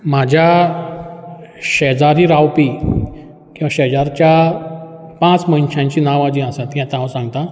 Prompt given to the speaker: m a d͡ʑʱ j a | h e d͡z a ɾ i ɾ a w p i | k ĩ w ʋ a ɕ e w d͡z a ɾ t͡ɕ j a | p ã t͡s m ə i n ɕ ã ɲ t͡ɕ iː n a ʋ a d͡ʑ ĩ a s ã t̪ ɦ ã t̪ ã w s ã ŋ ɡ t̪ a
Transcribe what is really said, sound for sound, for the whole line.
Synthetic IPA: m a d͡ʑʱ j a | ɕ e d͡z a ɾ i ɾ a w p i | k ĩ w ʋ a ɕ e d͡z a ɾ t͡ɕ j a | p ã t͡s m ə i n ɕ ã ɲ t͡ɕ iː n a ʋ a d͡ʑ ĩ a s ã t̪ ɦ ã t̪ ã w s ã ŋ ɡ t̪ a